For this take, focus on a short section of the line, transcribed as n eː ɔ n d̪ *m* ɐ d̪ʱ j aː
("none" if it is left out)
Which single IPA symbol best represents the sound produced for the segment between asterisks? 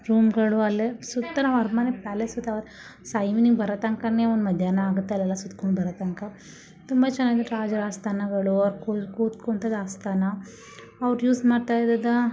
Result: m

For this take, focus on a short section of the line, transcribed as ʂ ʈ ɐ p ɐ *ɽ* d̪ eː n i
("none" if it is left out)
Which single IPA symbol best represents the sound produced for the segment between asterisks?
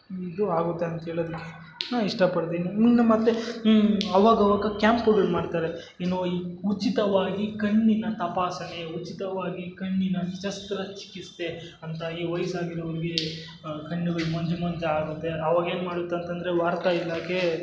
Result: ɽ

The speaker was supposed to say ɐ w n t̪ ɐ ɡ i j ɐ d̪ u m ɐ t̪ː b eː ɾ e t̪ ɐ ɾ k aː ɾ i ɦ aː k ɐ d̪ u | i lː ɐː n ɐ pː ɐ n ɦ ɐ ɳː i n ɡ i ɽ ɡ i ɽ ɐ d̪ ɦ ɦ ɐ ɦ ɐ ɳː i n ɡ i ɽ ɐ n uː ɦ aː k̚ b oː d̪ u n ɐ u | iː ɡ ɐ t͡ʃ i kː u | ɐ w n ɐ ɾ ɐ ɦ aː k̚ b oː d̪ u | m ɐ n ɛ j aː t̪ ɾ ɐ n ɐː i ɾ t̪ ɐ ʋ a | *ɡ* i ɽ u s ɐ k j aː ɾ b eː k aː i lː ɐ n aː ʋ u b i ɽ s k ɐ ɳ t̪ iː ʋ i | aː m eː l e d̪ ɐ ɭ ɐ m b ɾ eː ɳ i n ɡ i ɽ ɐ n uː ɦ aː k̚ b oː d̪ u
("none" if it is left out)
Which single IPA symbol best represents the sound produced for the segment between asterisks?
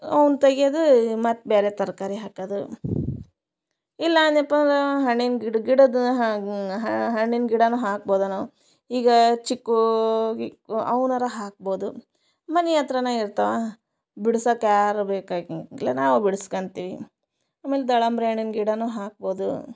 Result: b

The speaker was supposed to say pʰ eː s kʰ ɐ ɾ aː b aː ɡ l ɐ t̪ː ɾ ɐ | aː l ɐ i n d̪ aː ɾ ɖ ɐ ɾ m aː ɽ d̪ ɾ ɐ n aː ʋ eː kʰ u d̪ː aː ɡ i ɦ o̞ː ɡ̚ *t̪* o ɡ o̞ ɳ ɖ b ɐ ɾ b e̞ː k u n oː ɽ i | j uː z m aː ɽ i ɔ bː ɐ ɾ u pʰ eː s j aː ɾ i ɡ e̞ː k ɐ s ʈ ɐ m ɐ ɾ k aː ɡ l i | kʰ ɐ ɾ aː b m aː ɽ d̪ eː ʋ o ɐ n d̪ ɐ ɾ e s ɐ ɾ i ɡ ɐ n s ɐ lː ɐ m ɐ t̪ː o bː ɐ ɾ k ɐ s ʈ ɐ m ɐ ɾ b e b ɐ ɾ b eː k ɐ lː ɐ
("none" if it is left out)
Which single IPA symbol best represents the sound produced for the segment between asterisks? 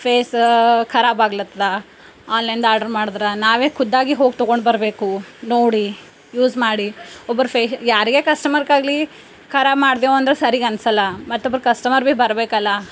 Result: t̪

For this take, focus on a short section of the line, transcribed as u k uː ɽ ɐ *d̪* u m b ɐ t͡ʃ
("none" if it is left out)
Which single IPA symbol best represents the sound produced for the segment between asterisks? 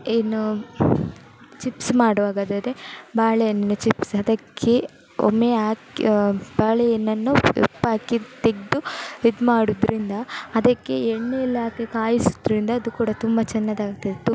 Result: t̪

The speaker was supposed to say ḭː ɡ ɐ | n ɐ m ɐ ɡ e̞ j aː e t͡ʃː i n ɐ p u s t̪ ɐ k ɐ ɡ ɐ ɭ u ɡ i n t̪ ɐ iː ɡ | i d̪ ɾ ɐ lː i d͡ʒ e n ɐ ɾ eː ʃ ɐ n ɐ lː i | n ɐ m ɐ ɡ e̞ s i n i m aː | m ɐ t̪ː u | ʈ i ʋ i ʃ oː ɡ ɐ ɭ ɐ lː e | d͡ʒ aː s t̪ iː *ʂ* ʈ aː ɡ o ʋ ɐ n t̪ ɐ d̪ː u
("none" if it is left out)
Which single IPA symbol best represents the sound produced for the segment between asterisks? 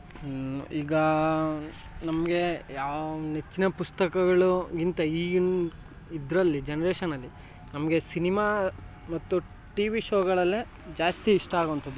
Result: ʂ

